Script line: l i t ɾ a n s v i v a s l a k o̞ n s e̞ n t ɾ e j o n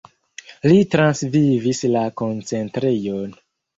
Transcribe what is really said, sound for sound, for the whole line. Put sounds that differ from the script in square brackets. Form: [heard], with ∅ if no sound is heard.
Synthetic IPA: l i t ɾ a n s v i v [i] s l a k o̞ n [t͡s] e̞ n t ɾ e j o n